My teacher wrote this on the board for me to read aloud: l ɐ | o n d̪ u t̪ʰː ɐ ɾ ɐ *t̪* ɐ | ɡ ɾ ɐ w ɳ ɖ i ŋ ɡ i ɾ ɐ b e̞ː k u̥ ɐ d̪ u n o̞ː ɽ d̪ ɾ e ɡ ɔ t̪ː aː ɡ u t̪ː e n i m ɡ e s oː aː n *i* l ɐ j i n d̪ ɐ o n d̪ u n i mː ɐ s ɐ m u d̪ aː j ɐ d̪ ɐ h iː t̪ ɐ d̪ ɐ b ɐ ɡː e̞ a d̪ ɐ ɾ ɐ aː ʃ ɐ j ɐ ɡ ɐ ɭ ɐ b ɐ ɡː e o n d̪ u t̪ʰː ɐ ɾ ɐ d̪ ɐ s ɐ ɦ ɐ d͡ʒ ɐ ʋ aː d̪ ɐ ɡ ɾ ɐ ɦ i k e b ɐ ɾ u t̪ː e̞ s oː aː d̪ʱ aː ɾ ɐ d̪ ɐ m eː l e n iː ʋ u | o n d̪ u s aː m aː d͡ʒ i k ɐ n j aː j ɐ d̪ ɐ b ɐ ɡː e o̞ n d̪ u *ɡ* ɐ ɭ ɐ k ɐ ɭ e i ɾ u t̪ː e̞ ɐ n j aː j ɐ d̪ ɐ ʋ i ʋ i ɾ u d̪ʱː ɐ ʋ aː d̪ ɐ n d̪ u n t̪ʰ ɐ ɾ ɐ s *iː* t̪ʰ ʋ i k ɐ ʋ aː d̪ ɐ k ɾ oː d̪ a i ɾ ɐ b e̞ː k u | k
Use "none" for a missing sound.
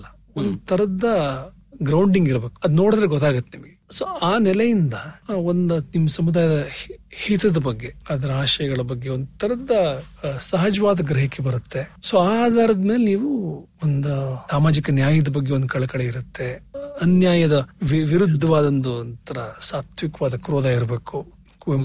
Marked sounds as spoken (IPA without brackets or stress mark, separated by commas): d̪, ɛ, k, aː